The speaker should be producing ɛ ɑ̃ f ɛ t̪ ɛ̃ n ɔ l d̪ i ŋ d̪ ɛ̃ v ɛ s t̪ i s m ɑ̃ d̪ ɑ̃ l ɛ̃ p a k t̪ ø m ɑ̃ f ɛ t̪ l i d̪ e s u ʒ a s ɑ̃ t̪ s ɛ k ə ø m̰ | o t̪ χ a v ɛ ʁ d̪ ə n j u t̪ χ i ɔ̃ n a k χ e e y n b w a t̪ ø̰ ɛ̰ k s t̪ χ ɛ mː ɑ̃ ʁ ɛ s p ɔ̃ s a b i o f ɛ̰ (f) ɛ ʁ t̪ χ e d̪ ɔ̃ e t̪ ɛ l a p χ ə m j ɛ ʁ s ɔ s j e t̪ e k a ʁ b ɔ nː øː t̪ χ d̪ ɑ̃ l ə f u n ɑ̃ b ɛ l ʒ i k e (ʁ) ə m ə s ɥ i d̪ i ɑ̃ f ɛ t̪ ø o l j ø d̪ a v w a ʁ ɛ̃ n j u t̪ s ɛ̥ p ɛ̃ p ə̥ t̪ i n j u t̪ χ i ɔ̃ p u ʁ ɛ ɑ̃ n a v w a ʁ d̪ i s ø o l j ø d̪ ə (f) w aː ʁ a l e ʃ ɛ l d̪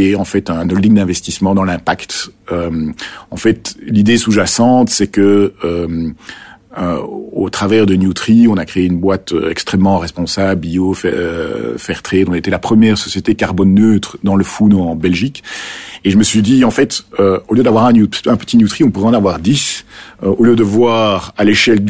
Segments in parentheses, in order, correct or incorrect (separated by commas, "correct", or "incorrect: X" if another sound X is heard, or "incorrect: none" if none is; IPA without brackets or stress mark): correct, incorrect: ʒ, incorrect: v